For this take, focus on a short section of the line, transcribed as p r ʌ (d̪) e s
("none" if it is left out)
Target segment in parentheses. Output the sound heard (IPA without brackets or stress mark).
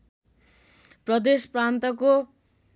d̪